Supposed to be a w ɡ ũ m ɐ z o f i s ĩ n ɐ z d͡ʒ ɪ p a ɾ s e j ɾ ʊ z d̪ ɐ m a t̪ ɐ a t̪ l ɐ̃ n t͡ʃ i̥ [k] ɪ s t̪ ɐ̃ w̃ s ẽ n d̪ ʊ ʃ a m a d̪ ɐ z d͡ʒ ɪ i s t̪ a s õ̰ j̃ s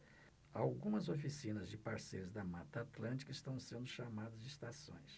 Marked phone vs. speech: correct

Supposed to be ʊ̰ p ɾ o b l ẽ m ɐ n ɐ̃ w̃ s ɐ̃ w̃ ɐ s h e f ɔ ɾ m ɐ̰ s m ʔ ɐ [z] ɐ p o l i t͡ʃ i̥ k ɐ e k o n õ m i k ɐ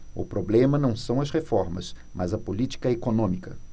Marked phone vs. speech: correct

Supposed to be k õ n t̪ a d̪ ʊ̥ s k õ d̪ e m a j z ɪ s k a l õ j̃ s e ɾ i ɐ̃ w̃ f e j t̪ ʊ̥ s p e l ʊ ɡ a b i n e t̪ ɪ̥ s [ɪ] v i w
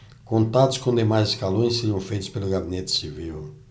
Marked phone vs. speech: incorrect: i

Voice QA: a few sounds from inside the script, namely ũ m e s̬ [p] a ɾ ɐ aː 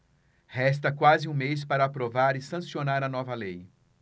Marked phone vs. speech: correct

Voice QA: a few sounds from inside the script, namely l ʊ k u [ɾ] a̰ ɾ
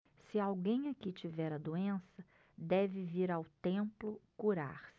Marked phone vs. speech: correct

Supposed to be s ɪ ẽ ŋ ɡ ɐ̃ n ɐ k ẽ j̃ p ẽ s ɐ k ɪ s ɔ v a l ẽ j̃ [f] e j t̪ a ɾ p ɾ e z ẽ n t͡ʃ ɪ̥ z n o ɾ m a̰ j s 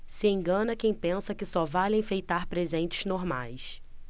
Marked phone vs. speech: correct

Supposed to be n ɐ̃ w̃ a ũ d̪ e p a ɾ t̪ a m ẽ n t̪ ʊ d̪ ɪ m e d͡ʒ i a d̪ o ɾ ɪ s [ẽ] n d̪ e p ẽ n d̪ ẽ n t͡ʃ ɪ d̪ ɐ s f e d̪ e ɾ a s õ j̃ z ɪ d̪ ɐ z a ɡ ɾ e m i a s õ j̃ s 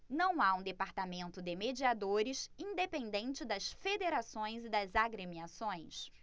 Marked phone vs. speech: incorrect: ĩ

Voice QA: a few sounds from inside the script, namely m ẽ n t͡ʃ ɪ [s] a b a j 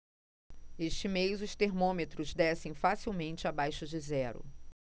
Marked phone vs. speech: incorrect: none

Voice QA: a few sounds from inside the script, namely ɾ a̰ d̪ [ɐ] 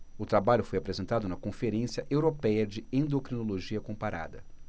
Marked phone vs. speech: correct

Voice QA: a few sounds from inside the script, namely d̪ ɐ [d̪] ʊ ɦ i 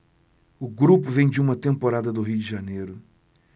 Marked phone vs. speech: correct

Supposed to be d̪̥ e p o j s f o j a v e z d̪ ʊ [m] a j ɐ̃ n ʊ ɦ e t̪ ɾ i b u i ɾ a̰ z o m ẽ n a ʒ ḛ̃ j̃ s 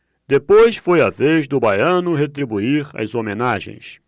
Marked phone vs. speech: incorrect: b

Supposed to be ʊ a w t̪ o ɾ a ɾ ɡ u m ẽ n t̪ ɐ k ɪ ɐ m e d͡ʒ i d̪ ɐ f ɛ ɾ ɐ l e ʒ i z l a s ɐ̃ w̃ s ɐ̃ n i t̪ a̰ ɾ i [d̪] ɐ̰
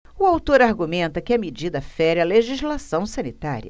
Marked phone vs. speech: incorrect: none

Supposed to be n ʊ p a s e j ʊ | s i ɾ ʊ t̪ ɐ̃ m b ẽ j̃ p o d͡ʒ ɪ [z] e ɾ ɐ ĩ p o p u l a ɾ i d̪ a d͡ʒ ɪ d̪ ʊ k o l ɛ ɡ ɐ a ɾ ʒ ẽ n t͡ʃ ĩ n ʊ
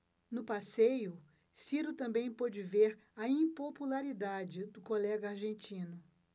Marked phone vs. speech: incorrect: v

